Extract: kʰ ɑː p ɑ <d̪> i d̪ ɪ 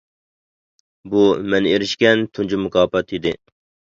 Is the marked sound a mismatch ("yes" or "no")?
yes